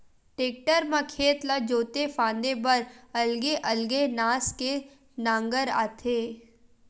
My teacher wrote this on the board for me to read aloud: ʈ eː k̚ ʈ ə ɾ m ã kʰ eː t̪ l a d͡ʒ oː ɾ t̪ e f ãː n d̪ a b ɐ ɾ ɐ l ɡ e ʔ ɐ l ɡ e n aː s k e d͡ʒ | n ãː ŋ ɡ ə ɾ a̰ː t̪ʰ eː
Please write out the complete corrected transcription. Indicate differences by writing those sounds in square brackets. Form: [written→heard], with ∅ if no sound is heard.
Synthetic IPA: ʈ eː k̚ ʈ ə ɾ m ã kʰ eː t̪ l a d͡ʒ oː [ɾ→∅] t̪ e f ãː n d̪ [a→e] b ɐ ɾ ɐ l ɡ e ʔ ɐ l ɡ e n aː s k e [d͡ʒ→∅] | n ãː ŋ ɡ ə ɾ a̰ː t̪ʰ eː